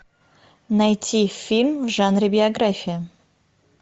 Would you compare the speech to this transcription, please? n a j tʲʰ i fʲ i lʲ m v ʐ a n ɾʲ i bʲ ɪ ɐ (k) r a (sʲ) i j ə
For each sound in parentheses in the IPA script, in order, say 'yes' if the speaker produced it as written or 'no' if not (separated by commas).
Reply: no, no